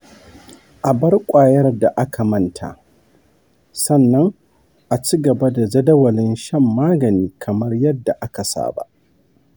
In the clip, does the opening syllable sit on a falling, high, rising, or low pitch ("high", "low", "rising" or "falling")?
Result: low